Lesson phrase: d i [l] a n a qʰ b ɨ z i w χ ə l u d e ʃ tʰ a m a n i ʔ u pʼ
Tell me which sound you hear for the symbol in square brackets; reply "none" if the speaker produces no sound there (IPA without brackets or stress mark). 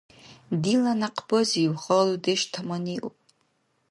l